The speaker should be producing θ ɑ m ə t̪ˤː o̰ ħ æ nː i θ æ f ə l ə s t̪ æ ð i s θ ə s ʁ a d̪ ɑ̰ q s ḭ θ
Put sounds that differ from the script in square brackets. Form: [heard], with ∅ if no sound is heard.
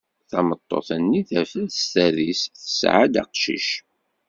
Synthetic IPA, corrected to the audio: θ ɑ m ə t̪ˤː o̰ [θ] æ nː i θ æ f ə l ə s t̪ æ ð i s θ ə s [ʕ] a d̪ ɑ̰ q [ʃ] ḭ [ʃ]